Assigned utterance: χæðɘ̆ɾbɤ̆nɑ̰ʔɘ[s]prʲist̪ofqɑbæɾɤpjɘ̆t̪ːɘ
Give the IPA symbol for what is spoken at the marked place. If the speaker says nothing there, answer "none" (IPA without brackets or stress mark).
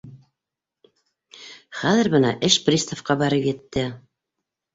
ʃ